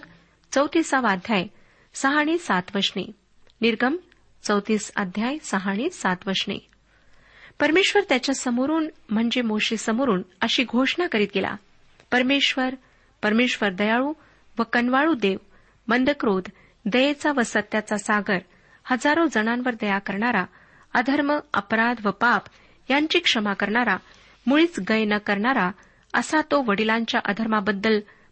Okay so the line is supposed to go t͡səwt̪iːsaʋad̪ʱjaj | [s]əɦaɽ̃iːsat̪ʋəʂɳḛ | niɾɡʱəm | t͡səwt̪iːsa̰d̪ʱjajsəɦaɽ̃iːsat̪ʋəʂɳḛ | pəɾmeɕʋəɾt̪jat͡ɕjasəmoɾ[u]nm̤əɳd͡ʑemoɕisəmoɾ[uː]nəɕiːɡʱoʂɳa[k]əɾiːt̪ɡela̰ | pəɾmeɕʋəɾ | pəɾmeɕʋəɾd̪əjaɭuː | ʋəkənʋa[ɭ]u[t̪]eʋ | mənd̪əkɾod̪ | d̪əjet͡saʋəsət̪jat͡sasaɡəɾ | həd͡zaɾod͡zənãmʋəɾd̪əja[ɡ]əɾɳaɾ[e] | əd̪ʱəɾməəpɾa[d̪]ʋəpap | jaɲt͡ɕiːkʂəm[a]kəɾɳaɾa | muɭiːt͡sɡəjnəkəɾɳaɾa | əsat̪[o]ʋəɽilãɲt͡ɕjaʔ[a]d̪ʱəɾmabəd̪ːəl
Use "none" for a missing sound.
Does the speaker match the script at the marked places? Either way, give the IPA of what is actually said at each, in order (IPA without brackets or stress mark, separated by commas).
s, uː, uː, k, ɭ, d̪, k, a, d̪, a, o, ə